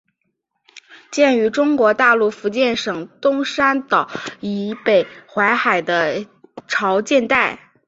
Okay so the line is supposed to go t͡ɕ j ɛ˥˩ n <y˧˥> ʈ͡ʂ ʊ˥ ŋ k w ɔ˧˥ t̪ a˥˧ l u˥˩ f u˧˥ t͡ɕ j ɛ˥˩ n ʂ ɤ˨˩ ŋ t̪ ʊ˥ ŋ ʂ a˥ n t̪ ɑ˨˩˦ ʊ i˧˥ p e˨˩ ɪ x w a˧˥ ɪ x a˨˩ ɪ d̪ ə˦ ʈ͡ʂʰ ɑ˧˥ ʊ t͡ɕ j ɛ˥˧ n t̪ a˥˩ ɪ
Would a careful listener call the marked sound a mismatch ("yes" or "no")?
no